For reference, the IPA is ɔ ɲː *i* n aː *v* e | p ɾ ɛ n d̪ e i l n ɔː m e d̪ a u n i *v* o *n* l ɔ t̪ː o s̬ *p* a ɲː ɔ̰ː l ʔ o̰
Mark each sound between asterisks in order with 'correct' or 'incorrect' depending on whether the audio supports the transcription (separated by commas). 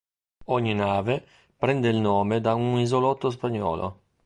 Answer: correct, correct, incorrect, incorrect, correct